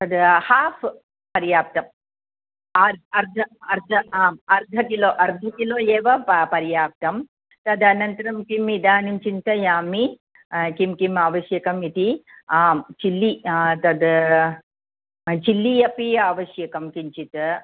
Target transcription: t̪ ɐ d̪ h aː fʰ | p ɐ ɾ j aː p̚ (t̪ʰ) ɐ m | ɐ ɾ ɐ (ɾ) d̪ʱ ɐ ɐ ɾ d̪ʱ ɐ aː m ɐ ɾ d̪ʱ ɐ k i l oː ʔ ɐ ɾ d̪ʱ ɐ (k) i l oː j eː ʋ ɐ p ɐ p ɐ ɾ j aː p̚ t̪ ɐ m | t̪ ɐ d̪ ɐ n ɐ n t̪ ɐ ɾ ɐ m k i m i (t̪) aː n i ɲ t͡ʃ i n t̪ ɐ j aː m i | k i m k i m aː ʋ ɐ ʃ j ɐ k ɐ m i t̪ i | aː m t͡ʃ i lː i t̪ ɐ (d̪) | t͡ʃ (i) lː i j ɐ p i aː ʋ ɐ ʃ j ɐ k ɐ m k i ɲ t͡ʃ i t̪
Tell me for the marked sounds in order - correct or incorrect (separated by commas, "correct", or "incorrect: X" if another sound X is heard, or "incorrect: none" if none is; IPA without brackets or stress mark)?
incorrect: t̪, correct, correct, incorrect: d̪, correct, correct